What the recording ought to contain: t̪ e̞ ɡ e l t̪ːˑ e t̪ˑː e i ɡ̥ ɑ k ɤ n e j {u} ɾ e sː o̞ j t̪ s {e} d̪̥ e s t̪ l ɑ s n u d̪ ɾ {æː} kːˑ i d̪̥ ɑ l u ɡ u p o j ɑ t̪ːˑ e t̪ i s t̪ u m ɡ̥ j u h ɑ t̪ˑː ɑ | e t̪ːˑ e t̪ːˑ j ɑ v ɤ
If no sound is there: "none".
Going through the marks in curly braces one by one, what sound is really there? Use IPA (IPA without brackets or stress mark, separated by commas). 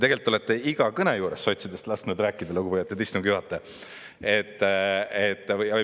uː, i, æː